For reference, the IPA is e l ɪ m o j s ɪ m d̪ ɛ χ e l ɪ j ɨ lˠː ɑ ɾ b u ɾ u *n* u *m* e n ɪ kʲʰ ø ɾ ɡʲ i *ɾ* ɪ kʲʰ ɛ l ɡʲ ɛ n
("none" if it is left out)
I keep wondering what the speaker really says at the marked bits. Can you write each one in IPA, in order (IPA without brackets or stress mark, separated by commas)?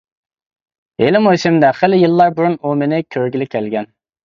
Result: n, m, l